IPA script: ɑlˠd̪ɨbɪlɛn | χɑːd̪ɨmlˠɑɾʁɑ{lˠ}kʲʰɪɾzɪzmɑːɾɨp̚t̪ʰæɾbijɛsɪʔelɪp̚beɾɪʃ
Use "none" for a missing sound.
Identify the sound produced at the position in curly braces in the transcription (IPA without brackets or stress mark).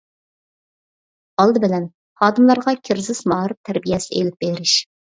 none